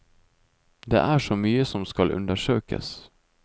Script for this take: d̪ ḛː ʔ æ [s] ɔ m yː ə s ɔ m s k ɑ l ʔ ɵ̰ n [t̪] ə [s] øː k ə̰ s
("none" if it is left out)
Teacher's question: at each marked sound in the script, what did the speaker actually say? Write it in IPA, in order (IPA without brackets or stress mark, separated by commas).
ʂ, d̪, ʂ